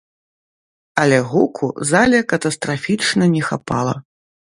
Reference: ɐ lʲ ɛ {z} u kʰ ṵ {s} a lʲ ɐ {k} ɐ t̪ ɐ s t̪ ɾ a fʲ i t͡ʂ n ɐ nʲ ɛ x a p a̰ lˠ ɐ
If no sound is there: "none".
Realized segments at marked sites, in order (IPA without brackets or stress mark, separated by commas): ɣ, z, k